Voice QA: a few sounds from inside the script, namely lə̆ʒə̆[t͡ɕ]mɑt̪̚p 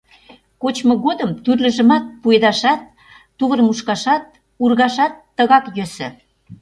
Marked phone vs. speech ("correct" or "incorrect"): incorrect